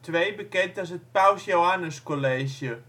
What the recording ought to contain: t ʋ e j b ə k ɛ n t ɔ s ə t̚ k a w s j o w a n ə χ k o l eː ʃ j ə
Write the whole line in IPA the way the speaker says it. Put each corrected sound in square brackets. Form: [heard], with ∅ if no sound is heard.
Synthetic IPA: t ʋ e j b ə k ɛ n t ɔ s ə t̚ [p] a w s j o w a n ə [s] k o l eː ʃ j ə